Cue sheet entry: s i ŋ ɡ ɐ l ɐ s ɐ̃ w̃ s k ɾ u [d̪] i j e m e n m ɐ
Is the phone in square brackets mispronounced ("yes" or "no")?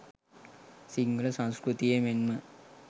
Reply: yes